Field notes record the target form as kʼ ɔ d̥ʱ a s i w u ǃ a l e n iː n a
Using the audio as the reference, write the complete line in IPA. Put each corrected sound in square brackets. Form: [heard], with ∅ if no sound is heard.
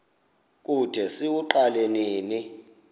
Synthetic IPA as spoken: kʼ [u] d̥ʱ [ɛ] s i w u ǃ a l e n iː n [i]